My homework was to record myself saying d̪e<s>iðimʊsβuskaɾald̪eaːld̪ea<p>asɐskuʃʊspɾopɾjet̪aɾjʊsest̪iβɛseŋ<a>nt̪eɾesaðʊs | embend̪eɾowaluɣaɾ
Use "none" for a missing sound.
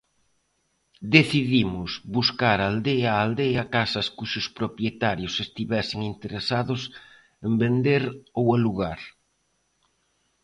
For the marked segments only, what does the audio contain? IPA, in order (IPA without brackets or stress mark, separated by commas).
θ, k, i